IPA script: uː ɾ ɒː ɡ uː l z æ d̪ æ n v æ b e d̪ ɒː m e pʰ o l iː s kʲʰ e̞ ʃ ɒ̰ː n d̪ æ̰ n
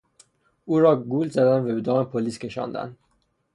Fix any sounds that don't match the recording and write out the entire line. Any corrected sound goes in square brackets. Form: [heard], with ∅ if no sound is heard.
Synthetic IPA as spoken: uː ɾ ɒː ɡ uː l z æ d̪ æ n v æ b e d̪ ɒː m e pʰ o l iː s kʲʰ e̞ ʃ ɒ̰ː n d̪ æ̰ n